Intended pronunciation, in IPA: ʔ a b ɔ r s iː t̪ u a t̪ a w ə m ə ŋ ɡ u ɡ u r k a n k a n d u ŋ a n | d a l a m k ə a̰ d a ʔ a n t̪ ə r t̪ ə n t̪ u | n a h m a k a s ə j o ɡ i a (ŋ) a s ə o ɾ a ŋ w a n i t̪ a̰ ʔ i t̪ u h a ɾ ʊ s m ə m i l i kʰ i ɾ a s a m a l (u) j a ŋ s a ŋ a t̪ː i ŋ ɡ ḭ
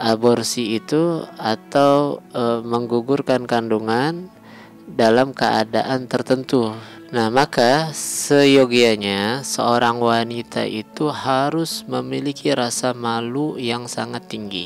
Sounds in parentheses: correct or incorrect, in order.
incorrect: ɲ, correct

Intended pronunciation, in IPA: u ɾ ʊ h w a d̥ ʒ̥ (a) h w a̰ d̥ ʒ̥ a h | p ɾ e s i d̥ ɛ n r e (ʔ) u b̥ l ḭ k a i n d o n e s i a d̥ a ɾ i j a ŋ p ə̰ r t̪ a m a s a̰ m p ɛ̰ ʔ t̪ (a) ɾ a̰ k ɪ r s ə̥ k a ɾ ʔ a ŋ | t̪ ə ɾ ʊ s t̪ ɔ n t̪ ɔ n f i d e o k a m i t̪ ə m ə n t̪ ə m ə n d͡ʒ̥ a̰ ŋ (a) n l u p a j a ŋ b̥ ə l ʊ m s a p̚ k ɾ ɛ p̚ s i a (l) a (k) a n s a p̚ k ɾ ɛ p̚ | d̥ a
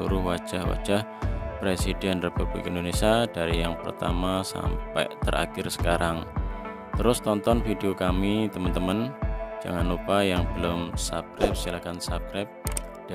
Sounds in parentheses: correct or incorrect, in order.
correct, incorrect: p, incorrect: ə, correct, correct, correct

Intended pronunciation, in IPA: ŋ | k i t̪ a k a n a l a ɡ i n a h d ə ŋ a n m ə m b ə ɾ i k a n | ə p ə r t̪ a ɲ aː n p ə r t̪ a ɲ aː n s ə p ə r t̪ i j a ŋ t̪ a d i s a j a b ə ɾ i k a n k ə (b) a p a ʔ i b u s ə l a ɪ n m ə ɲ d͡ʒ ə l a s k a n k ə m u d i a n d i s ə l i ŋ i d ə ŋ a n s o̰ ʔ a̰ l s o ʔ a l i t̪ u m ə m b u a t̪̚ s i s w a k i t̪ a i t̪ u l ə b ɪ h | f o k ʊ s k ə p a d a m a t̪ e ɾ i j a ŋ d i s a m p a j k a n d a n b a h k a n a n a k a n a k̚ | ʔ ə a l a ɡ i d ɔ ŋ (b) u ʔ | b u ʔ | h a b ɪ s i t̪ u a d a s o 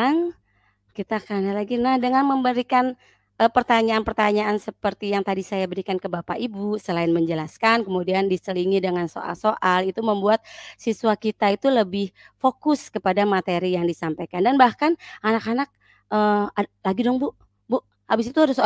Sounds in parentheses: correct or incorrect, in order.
correct, correct

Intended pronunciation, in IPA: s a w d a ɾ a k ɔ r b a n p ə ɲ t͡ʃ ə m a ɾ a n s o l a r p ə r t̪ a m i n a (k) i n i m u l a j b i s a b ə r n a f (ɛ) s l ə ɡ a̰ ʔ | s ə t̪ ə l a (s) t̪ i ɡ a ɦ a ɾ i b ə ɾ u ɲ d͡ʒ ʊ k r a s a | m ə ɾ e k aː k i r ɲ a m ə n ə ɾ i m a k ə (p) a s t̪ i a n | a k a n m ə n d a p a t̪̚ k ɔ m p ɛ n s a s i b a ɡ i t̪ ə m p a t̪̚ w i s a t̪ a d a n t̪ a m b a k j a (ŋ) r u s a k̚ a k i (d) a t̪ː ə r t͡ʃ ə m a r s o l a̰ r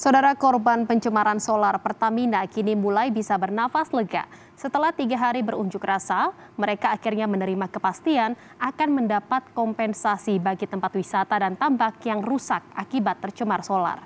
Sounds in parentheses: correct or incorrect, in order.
correct, incorrect: a, incorrect: h, correct, correct, incorrect: b

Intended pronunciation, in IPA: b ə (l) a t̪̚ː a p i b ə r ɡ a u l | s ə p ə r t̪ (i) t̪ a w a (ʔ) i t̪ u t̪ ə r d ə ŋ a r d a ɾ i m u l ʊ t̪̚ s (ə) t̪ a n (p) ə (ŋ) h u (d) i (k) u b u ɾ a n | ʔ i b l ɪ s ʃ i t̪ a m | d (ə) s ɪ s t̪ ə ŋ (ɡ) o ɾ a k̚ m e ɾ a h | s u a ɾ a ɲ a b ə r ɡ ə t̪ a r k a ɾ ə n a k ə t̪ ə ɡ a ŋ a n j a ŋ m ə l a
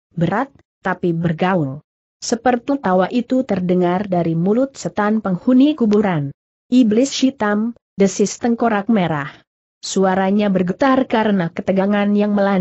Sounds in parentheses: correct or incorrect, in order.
incorrect: ɾ, correct, correct, correct, correct, correct, incorrect: n, correct, correct, incorrect: k

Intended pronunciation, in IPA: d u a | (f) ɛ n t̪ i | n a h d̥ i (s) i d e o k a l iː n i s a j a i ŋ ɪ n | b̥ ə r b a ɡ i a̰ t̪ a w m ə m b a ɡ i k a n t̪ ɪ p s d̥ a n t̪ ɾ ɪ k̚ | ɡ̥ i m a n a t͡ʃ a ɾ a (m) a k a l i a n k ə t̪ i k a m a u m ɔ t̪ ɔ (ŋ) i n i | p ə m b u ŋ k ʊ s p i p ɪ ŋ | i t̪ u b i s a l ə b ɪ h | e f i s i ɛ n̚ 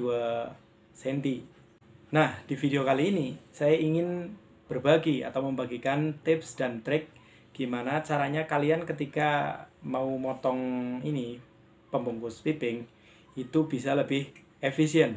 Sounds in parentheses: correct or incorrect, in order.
incorrect: s, incorrect: f, incorrect: ɲ, correct

